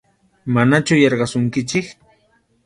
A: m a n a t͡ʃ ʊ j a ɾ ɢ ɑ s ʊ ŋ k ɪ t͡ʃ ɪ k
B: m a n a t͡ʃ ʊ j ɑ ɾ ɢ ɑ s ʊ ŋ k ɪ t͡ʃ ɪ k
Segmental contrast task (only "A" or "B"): B